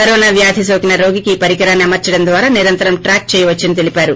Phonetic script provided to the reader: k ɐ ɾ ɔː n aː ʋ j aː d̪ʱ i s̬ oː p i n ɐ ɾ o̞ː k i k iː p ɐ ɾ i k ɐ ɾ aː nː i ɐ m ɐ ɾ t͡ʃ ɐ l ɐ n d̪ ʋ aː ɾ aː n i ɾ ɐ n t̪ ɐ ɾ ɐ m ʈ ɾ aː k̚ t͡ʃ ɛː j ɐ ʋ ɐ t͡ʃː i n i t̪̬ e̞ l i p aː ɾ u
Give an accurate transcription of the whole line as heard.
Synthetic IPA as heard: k ɐ ɾ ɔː n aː ʋ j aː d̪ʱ i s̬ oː k i n ɐ ɾ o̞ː ɡ i k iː p ɐ ɾ i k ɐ ɾ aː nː i ɐ m ɐ ɾ t͡ʃ ɐ ɽ ɐ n d̪ ʋ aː ɾ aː n i ɾ ɐ n t̪ ɐ ɾ ɐ m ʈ ɾ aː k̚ t͡ʃ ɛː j ɐ ʋ ɐ t͡ʃː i n i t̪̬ e̞ l i p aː ɾ u